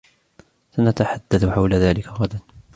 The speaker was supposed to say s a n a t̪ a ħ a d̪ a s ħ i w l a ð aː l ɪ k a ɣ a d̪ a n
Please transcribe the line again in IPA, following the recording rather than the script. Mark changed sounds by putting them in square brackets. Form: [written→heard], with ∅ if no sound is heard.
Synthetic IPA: s a n a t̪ a ħ a [d̪→d̪ː] a [s→θ] ħ [i→a] w l a ð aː l ɪ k a ɣ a d̪ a n